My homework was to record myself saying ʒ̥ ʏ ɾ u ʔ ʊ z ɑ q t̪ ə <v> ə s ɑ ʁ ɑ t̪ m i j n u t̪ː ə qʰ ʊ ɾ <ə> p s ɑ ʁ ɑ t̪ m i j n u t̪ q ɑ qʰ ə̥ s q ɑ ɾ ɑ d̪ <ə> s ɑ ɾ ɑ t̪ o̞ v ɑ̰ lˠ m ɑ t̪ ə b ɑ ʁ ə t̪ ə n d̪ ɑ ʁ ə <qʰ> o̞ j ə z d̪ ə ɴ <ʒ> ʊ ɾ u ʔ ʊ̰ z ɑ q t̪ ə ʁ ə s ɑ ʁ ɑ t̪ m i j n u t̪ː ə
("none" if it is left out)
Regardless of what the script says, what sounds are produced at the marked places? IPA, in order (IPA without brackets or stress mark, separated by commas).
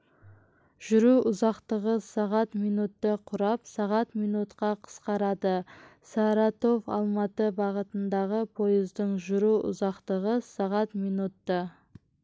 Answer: ʁ, ɑ, ə, pʰ, ʒ